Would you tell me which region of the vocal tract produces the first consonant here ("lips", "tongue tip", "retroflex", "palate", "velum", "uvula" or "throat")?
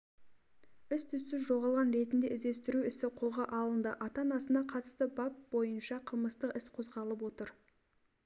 tongue tip